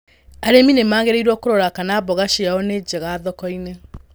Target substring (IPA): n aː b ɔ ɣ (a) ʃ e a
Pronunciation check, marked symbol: correct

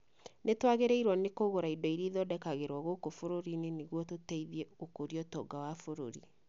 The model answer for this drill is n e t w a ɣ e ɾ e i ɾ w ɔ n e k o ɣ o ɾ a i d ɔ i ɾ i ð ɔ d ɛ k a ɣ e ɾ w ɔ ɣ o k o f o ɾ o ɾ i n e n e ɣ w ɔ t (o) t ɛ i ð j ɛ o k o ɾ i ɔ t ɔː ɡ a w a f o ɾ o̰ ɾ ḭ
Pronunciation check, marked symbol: correct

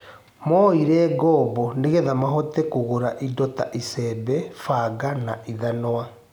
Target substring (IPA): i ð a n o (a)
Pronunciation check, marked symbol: correct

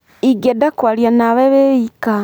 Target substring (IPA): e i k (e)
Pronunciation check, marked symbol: incorrect: a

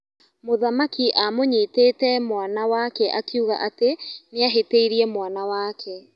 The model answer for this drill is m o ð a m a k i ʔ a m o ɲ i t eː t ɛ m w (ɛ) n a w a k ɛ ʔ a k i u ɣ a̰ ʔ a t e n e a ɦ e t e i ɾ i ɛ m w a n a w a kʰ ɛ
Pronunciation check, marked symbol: incorrect: a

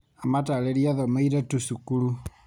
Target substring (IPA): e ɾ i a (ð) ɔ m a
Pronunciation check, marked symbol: correct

